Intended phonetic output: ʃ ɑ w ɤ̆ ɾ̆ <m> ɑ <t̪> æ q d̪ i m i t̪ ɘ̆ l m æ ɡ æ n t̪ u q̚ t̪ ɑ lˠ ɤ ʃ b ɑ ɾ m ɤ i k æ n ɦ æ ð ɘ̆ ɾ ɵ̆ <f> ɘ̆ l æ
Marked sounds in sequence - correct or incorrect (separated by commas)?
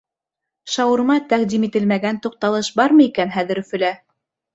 correct, correct, correct